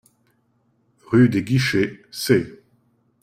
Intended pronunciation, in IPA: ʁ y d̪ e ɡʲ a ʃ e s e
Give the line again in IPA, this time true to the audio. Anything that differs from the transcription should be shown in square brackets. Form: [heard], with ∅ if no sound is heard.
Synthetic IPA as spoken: ʁ y d̪ e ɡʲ [i] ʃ e s e